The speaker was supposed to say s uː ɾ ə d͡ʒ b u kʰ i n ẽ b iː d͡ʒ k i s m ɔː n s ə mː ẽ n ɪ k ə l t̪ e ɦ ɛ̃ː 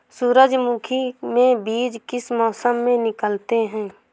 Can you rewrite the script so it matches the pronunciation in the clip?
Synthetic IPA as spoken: s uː ɾ ə d͡ʒ m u kʰ i m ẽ b iː d͡ʒ k ɪ s m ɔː s ə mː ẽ n ɪ k ə l t̪ e ɦ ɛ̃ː